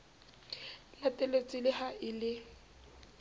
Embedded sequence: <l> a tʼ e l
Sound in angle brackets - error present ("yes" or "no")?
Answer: no